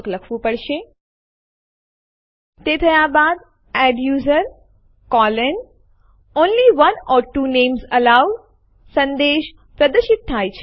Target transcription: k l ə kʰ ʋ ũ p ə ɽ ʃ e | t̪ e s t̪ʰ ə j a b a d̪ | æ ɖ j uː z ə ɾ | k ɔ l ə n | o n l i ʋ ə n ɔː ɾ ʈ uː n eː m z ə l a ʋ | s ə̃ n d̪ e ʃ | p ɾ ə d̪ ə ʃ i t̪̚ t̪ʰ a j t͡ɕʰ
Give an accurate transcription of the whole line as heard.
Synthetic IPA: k l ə kʰ ʋ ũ p ə ɽ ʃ e | t̪ e t̪ʰ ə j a b a d̪ | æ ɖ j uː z ə ɾ | k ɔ l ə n | o n l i ʋ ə n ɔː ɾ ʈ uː n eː m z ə l a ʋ | s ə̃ n d̪ e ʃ | p ɾ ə d̪ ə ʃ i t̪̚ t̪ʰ a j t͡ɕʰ